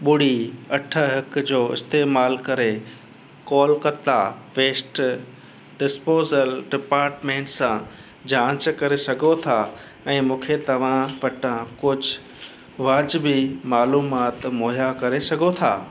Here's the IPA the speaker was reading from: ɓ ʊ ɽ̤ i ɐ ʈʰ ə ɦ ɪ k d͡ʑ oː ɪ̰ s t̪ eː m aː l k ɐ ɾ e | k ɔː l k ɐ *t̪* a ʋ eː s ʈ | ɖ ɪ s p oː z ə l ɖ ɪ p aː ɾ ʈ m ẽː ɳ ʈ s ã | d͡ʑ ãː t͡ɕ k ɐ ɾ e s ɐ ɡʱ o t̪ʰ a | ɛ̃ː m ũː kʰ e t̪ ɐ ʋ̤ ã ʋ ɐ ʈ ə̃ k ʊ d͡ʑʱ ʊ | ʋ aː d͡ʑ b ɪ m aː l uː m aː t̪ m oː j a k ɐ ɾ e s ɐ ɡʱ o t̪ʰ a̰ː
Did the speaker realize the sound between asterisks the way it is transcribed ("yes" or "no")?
yes